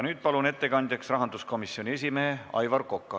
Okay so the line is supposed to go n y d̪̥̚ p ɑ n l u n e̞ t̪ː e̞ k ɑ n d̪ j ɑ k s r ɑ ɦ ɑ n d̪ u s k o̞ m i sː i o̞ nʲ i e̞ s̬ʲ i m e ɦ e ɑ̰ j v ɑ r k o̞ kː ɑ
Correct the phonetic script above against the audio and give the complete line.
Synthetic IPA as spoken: n yː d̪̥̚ p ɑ l u n e̞ t̪ː e̞ k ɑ n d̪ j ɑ k s r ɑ ɦ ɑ n d̪ u s k o̞ m i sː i o̞ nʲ i e̞ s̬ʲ i m e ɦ e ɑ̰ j v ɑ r k o̞ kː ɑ